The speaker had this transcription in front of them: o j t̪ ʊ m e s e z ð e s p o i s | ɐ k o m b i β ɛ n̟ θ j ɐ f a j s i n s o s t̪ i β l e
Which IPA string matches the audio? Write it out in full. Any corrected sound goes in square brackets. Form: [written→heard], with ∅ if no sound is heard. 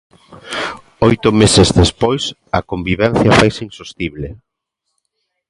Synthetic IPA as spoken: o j t̪ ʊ m e s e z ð e s p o [i→j] s | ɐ k o m b i β ɛ n̟ θ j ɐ f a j s i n s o s t̪ i β l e